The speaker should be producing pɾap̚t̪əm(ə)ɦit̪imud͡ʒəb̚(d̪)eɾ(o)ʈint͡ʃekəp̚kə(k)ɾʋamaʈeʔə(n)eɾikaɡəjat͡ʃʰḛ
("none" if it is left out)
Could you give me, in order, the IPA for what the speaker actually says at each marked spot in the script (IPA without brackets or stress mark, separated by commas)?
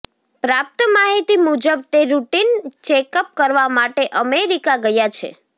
a, t̪, u, none, m